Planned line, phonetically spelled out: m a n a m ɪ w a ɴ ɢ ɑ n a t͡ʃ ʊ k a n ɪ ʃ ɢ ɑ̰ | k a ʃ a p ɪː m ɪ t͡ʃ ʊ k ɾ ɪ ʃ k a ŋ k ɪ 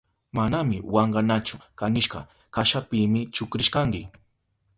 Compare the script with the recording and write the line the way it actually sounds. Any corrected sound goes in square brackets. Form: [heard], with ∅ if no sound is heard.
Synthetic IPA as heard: m a n a m ɪ w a ɴ ɢ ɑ n a t͡ʃ ʊ k a n ɪ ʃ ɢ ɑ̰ | k a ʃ a p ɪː m ɪ t͡ʃ ʊ k ɾ ɪ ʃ k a ŋ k ɪ